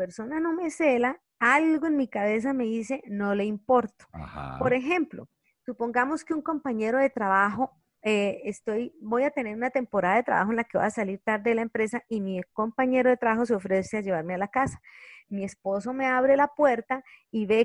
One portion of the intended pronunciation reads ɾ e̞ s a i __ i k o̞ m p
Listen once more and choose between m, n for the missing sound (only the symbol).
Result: m